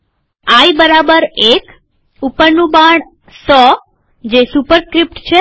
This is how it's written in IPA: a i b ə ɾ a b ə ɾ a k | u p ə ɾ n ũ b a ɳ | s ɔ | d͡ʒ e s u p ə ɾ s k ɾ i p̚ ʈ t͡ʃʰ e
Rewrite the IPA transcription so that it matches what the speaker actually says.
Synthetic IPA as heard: a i b ə ɾ a b ə ɾ e k | u p ə ɾ n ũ b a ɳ | s ɔ | d͡ʒ e s u p ə ɾ s k ɾ i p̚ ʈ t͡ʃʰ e